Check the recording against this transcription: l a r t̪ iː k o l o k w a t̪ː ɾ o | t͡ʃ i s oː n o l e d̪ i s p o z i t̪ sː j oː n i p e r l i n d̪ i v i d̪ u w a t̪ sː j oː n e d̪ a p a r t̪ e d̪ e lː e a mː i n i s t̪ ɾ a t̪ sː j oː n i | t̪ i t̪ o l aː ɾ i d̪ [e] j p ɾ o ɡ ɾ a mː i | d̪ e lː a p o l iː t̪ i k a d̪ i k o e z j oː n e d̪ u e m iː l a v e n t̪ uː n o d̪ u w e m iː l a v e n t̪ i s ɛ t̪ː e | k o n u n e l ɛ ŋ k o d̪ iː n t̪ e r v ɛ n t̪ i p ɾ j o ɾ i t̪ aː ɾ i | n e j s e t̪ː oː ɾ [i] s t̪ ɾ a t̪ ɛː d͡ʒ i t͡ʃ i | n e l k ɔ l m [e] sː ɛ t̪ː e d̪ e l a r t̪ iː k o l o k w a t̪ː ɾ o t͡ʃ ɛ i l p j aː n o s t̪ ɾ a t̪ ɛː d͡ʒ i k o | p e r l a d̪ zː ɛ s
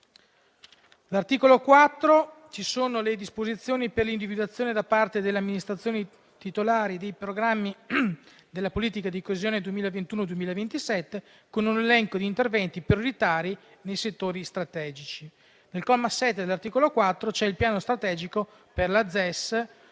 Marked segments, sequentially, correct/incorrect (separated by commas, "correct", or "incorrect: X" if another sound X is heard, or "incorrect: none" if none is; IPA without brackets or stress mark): correct, correct, incorrect: a